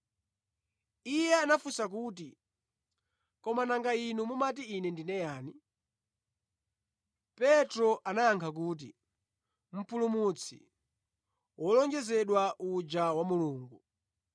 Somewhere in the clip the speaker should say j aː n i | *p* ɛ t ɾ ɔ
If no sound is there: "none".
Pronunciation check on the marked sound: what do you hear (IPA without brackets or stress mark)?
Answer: p